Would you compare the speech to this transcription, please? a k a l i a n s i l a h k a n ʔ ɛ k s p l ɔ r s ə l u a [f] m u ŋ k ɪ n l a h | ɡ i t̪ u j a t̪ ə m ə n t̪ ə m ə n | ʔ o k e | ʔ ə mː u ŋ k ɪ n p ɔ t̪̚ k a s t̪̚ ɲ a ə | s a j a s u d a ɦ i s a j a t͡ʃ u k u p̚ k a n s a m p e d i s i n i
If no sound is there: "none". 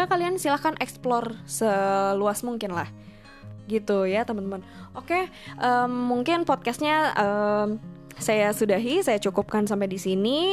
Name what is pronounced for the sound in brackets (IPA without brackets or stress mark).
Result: s